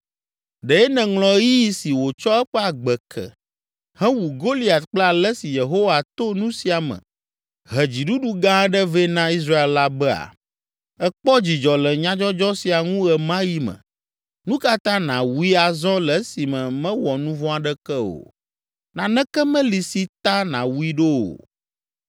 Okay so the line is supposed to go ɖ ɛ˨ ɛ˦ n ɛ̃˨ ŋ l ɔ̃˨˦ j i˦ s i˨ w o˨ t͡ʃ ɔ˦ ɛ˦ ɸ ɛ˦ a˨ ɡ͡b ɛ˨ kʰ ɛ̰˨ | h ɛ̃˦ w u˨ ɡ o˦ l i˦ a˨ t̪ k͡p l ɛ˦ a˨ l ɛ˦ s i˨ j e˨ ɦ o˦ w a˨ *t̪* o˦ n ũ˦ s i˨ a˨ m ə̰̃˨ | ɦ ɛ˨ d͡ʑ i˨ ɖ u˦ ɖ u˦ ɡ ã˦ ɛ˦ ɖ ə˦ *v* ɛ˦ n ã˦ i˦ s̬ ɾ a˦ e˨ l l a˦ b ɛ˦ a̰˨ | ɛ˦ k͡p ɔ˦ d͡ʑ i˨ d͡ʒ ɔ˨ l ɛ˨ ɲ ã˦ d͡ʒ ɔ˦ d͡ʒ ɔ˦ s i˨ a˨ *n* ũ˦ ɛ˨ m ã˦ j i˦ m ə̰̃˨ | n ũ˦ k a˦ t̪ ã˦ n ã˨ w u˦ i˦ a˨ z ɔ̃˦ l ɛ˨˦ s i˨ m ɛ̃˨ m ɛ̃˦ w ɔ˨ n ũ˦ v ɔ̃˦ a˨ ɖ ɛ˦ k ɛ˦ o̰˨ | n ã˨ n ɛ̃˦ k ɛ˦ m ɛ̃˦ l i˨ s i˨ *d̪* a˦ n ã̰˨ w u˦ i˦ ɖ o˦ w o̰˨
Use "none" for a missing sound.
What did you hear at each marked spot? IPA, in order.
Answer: t̪, v, ŋ, t̪

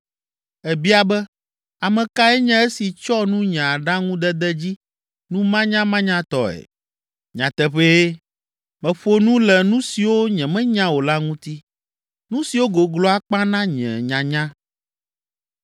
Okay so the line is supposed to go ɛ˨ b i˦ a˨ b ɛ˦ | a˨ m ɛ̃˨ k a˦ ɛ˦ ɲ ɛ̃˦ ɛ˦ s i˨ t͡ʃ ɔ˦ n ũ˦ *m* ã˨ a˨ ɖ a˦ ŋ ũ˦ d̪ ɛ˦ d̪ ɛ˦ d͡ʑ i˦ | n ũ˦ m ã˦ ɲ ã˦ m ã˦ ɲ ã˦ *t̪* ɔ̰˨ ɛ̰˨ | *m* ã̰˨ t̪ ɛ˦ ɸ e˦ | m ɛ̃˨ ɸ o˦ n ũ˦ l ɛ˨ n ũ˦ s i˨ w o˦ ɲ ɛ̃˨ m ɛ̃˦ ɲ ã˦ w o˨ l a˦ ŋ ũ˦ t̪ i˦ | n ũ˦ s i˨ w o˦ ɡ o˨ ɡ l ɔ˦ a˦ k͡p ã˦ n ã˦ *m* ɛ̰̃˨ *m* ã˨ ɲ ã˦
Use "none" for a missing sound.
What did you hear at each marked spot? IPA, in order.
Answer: ɲ, t̪, ɲ, ɲ, ɲ

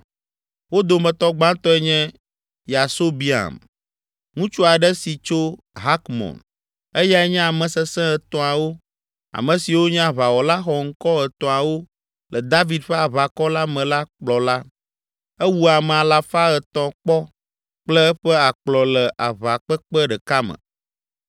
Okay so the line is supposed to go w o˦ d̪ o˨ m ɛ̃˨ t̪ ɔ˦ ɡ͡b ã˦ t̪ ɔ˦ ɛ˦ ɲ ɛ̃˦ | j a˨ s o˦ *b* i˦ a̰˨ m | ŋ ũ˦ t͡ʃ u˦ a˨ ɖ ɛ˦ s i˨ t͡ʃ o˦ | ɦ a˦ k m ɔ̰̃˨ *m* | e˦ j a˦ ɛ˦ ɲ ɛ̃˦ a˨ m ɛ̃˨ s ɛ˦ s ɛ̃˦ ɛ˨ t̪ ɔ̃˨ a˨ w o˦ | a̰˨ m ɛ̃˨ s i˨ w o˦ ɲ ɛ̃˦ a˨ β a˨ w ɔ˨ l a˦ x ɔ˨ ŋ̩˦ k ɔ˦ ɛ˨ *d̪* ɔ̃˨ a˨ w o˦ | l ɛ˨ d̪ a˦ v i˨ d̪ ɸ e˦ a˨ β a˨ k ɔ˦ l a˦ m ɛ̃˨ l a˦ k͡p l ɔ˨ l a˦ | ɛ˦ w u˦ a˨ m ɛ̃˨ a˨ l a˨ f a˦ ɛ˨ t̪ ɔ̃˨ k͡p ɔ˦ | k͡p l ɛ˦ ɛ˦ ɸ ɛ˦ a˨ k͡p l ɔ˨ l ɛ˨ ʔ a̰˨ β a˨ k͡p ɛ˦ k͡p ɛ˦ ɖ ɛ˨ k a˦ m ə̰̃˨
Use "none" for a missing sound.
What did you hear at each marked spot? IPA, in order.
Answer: b, n, t̪

